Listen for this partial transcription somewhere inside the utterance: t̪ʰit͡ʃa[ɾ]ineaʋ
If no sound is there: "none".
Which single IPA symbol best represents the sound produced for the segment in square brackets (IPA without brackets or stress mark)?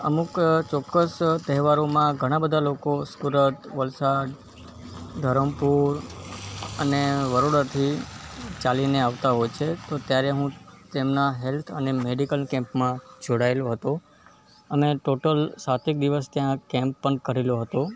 l